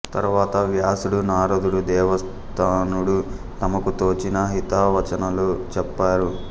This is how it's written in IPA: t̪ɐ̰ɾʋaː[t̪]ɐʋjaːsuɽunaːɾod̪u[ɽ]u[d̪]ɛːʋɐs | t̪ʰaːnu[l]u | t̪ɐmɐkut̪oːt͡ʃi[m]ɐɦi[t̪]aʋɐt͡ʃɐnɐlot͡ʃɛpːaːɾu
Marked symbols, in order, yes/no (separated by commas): yes, yes, yes, no, no, yes